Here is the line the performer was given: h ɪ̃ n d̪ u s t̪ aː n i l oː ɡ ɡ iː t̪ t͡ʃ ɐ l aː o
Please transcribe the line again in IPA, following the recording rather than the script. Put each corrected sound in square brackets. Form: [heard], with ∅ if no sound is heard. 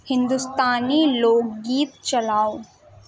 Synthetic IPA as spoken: h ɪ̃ n d̪ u s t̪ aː n i l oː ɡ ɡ iː t̪ t͡ʃ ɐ l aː o